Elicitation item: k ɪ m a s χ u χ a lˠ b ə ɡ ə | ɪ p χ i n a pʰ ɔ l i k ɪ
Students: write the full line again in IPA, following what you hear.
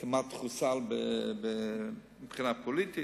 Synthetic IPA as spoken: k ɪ m a t χ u s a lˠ b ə b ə | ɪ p χ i n a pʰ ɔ l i t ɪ